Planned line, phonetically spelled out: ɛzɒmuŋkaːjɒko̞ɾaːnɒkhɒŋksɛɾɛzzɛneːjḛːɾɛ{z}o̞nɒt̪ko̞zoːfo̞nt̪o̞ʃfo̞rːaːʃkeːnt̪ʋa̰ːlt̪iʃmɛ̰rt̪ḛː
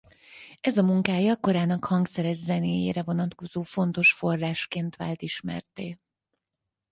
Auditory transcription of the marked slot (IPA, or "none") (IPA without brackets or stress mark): v